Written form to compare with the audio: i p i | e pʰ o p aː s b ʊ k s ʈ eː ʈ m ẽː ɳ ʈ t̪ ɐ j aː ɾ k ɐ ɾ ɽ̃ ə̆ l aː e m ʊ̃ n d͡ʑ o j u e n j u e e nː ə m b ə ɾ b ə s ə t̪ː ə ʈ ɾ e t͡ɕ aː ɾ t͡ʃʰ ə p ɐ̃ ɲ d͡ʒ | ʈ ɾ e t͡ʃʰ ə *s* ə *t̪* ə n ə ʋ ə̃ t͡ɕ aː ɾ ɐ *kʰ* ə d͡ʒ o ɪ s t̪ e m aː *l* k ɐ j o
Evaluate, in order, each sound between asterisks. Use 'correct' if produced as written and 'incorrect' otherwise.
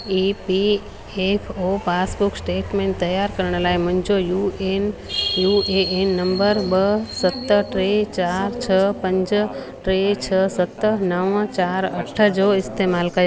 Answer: correct, correct, incorrect, correct

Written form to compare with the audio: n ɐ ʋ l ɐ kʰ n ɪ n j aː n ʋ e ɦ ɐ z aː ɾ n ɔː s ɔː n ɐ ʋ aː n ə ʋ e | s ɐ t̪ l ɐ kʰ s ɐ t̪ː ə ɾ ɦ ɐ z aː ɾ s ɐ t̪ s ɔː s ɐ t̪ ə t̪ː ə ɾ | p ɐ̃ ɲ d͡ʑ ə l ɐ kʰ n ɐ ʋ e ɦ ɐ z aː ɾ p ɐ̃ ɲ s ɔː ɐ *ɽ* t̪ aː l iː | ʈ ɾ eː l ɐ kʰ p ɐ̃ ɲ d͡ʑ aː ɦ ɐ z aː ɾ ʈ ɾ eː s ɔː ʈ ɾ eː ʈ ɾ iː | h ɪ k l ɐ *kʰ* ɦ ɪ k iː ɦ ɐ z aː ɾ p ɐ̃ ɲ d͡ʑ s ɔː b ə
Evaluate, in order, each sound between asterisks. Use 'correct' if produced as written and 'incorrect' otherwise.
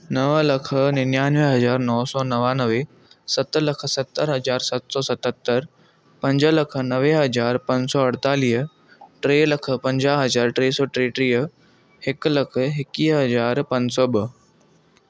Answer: correct, correct

